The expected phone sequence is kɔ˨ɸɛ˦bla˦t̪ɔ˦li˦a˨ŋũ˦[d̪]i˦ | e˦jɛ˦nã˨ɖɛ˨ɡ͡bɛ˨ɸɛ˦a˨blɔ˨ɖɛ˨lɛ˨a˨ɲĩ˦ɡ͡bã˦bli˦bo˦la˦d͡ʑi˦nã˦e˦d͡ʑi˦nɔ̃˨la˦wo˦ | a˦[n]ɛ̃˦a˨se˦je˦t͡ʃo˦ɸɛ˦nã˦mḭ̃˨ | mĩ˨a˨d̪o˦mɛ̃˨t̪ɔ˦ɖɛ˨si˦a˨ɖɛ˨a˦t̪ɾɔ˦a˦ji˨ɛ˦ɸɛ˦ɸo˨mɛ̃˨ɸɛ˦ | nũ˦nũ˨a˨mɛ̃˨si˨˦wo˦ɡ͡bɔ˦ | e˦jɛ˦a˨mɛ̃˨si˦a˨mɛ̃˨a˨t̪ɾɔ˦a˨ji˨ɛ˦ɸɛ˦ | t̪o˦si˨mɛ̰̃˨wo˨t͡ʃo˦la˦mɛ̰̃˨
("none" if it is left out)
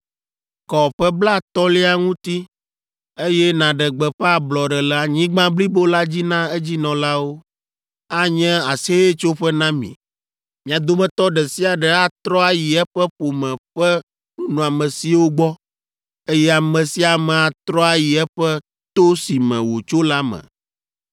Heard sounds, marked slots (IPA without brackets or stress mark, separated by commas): t̪, ɲ